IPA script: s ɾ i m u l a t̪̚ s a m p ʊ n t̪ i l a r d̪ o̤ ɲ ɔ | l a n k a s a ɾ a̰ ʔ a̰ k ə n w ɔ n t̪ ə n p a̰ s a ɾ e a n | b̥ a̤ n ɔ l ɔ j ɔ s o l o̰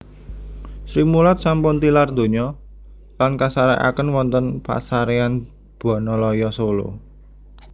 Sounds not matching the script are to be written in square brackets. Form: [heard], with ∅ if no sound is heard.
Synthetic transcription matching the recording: s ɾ i m u l a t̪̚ s a m p ʊ n t̪ i l a r d̪ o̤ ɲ ɔ | l a n k a s a ɾ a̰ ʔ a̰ k ə n w ɔ n t̪ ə n p a̰ s a ɾ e a n | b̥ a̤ n ɔ l ɔ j ɔ s o l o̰